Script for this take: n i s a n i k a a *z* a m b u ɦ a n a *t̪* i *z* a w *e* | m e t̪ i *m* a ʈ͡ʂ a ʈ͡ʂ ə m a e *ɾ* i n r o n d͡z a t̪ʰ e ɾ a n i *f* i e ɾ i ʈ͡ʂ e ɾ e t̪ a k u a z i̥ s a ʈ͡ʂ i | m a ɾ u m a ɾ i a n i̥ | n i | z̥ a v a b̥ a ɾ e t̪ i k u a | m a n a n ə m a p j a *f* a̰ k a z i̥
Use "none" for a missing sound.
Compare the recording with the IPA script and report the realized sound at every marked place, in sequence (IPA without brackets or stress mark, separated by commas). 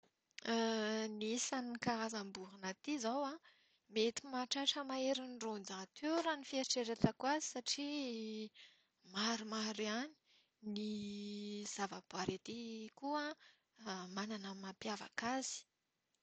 z, t̪, z, a, m, ɾ, f, v